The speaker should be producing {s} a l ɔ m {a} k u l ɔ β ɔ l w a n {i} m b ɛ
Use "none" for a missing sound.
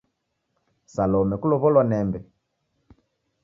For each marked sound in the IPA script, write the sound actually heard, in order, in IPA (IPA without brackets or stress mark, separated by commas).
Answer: s, ɛ, ɛ